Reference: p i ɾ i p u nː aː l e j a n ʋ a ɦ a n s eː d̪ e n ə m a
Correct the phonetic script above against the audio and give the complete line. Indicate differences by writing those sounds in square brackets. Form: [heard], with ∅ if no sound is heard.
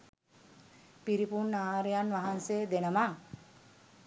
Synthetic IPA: p i ɾ i p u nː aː [ɾ] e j a n ʋ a ɦ a n s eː d̪ e n ə m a